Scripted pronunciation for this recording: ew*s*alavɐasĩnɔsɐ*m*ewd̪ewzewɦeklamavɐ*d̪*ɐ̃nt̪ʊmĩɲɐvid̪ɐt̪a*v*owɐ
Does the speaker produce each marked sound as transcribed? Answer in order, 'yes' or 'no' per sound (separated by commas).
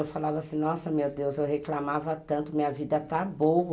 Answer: no, yes, no, no